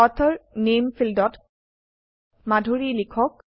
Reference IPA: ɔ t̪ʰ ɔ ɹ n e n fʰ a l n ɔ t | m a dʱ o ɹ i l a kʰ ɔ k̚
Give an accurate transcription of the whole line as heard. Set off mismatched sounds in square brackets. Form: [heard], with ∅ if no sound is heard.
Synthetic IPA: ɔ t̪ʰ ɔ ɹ n e [m] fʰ [i] l [d] ɔ t | m a dʱ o ɹ i l [i] kʰ ɔ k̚